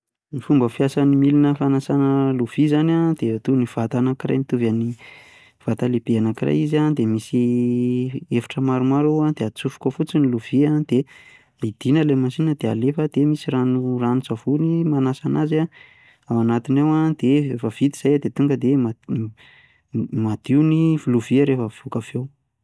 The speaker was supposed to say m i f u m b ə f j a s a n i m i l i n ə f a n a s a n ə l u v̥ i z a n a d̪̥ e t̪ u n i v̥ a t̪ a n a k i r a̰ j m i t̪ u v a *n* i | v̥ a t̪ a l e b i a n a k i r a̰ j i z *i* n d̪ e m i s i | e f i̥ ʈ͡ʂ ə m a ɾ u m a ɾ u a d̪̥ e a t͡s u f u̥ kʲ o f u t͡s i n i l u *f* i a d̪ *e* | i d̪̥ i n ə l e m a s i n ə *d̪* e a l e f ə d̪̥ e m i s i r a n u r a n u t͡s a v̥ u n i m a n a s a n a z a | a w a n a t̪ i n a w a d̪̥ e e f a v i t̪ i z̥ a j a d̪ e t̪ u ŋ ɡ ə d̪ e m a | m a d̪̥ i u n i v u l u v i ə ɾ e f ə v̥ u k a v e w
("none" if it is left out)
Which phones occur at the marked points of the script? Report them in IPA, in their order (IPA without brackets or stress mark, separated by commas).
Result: n, a, v, e, d̪